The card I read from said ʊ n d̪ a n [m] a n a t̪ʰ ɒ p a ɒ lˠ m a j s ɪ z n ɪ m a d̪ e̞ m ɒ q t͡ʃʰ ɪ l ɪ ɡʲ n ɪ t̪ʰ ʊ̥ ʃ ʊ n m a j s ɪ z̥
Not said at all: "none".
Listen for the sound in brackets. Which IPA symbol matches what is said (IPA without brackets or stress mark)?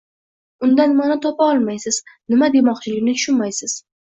m